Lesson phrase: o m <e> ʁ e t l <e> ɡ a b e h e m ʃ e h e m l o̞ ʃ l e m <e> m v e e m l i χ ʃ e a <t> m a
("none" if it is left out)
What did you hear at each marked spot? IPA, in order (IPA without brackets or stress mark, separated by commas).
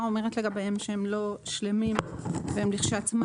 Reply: e, e, i, t͡s